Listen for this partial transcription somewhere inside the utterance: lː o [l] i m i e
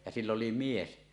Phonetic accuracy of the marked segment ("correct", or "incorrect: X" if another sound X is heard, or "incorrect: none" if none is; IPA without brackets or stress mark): correct